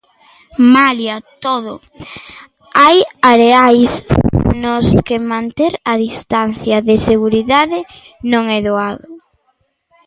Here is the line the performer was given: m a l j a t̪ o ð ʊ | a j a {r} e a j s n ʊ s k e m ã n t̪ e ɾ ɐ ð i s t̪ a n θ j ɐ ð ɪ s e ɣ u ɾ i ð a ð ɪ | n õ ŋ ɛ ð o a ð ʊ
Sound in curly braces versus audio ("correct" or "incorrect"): incorrect